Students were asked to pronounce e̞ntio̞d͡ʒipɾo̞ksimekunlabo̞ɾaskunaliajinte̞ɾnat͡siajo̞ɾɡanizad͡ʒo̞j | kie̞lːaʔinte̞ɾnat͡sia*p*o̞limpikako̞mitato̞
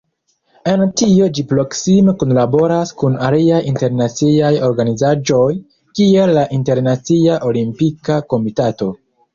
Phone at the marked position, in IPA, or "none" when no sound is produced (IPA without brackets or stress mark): ʔ